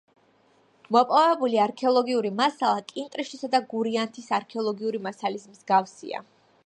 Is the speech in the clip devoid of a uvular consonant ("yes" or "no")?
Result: yes